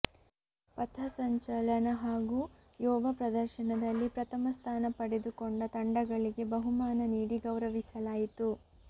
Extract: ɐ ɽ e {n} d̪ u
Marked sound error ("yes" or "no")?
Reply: yes